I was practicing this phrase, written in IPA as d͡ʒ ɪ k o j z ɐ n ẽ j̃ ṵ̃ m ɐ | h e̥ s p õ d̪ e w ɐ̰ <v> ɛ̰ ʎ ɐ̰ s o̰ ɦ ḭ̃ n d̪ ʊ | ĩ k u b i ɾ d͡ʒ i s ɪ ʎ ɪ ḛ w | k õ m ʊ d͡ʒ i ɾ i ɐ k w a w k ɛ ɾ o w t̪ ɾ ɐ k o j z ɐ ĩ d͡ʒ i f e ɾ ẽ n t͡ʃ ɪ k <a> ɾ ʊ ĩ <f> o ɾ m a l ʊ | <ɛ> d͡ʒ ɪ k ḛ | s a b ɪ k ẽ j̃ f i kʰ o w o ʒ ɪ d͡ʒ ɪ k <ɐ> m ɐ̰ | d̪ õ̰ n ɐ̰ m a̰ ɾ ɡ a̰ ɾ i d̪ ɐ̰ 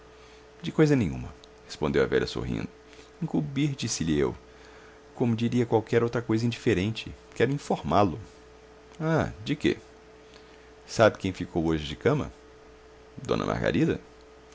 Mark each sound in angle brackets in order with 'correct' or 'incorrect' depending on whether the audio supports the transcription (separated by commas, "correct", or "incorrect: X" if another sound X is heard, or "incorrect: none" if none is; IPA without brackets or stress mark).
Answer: correct, incorrect: ɛ, correct, incorrect: a, incorrect: ɐ̃